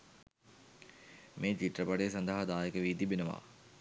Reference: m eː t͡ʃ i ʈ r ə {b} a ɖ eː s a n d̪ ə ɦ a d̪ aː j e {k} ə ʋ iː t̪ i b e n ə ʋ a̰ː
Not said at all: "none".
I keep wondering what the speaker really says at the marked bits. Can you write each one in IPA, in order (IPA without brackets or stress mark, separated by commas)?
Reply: p, k